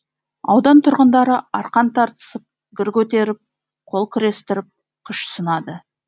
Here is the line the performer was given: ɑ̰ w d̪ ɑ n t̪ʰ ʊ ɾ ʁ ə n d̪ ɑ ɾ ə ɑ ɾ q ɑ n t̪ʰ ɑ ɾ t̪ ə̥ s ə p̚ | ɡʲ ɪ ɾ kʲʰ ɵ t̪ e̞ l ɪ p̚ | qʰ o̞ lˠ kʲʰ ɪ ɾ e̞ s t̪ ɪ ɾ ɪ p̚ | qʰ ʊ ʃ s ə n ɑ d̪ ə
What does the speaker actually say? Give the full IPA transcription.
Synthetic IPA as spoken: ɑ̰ w d̪ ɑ n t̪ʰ ʊ ɾ ʁ ə n d̪ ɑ ɾ ə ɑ ɾ q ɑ n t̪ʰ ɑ ɾ t̪ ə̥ s ə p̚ | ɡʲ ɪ ɾ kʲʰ ɵ t̪ e̞ ɾ ɪ p̚ | qʰ o̞ lˠ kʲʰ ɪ ɾ e̞ s t̪ ɪ ɾ ɪ p̚ | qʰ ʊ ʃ s ə n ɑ d̪ ə

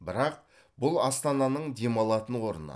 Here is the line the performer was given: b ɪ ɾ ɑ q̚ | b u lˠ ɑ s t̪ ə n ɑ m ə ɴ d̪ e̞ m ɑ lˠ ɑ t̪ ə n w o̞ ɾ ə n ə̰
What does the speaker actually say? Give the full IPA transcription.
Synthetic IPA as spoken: b ɪ ɾ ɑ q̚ | b ʊ lˠ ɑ s t̪ ɑ n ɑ n ə ɴ d̪ e̞ m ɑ lˠ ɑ t̪ ə n w o̞ ɾ ə n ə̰

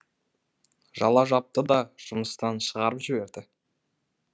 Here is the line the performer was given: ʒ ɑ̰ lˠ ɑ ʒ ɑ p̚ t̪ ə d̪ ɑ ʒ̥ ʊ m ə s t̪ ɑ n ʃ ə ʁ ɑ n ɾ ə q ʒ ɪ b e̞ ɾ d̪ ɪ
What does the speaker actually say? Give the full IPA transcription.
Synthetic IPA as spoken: ʒ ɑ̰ lˠ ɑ ʒ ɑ p̚ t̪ ə d̪ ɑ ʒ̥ ʊ m ə s t̪ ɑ n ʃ ə ʁ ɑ ɾ ə p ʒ ɪ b e̞ ɾ d̪ ɪ

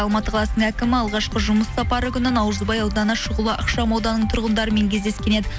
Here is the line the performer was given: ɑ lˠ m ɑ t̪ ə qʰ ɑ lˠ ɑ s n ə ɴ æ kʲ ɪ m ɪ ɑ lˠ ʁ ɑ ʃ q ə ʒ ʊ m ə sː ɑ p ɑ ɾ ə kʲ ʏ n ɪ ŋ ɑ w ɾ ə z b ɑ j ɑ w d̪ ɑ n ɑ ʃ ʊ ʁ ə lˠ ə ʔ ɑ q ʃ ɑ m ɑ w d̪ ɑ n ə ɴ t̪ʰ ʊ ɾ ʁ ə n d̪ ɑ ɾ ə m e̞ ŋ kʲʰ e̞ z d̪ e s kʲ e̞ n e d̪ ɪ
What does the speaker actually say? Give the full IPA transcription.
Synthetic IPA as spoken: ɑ lˠ m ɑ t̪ ə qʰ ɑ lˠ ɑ s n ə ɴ æ kʲ ɪ m ɪ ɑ lˠ ʁ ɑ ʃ q ə ʒ ʊ m ə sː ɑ p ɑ ɾ ə kʲ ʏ n ɪ n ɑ w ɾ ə z b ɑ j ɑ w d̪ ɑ n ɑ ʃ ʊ ʁ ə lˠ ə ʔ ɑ q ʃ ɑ m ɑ w d̪ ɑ n ə ɴ t̪ʰ ʊ ɾ ʁ ə n d̪ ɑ ɾ ə m e̞ ŋ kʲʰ e̞ z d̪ e s kʲ e̞ n e d̪ ɪ

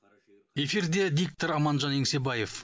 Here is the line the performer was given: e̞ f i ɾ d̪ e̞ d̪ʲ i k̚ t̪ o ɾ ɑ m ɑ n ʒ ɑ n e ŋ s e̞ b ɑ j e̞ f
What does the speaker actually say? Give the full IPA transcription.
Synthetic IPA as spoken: e̞ f i ɾ d̪ e̞ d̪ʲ i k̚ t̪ o ɾ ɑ m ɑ n ʒ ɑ n e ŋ s e̞ b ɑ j e̞ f

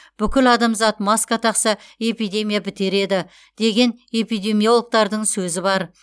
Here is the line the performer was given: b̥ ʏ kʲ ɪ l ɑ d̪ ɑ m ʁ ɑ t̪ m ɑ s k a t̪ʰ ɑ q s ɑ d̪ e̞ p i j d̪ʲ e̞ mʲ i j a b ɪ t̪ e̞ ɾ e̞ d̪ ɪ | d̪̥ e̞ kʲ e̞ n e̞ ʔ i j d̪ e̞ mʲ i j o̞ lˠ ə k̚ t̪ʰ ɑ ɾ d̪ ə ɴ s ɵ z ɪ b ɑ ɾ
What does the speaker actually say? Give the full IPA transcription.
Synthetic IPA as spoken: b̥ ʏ kʲ ɪ l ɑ d̪ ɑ m z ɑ t̪ m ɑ s k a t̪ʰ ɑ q s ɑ e̞ p i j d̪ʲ e̞ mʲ i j a b ɪ t̪ e̞ ɾ e̞ d̪ ɪ | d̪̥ e̞ ɡʲ e̞ n e̞ p i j d̪ e̞ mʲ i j o̞ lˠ ə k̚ t̪ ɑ ɾ d̪ ə ɴ s ɵ z ɪ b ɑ ɾ

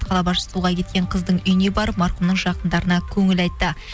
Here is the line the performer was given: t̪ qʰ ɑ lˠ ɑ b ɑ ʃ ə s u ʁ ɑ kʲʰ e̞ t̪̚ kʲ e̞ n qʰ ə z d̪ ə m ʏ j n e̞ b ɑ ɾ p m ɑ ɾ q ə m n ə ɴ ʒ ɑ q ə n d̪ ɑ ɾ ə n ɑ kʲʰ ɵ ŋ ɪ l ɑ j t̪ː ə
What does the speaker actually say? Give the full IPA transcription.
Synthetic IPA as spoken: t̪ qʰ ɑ lˠ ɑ b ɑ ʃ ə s u ʁ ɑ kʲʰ e̞ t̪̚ kʲ e̞ ɴ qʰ ə z d̪ ə ɴ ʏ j n e̞ b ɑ ɾ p m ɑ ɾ q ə m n ə ɴ ʒ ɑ q ə n d̪ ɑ ɾ ə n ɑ kʲʰ ɵ ŋ ɪ l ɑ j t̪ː ə

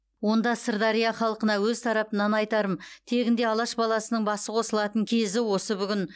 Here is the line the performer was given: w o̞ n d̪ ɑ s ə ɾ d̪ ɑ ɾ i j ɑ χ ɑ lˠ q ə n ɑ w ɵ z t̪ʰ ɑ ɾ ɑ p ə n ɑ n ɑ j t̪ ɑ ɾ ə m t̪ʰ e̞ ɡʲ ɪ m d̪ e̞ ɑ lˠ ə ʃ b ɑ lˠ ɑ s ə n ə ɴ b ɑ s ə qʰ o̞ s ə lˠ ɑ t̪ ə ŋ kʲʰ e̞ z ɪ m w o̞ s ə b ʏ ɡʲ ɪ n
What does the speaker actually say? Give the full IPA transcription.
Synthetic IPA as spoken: w o̞ n d̪ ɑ s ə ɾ d̪ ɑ ɾ i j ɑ χ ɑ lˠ q ə n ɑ w ɵ z t̪ʰ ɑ ɾ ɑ p ə n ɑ n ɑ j t̪ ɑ ɾ ə m t̪ʰ e̞ ɡʲ ɪ n d̪ e̞ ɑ lˠ ɑ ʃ b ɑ lˠ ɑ s ə n ə ɴ b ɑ s ə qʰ o̞ s ə lˠ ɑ t̪ ə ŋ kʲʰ e̞ z ɪ w o̞ s ə b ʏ ɡʲ ɪ n

